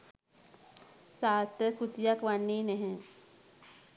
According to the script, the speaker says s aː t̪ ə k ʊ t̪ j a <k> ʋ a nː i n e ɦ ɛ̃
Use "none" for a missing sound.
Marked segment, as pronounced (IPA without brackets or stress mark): k